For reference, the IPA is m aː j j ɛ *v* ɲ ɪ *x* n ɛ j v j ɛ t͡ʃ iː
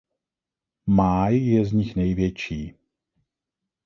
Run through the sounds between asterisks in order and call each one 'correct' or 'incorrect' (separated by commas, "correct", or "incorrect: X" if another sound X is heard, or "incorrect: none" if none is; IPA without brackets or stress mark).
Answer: incorrect: z, correct